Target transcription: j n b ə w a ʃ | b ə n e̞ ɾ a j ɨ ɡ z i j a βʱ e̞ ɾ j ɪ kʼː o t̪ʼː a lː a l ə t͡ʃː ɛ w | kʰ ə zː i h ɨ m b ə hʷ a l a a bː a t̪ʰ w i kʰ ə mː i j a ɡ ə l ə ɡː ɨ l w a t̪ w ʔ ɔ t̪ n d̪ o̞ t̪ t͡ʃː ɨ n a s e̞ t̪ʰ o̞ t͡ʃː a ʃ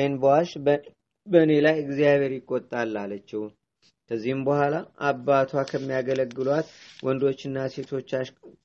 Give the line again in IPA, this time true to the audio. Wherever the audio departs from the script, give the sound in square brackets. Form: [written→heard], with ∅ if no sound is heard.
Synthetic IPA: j n b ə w a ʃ | b ə n e̞ [ɾ→l] a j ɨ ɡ z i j a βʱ e̞ ɾ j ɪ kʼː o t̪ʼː a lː a l ə t͡ʃː ɛ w | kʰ ə zː i h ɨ m b ə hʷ a l a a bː a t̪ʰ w [i→a] kʰ ə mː i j a ɡ ə l ə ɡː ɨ l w a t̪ w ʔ ɔ [t̪→∅] n d̪ o̞ [t̪→∅] t͡ʃː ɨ [n→nː] a s e̞ t̪ʰ o̞ t͡ʃː a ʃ